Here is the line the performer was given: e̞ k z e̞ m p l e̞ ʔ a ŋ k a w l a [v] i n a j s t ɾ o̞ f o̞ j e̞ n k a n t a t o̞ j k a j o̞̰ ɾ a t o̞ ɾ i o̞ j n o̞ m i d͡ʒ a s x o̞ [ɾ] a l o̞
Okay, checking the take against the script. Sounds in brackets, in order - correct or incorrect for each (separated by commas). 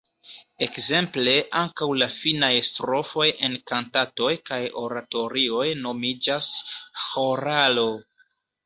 incorrect, correct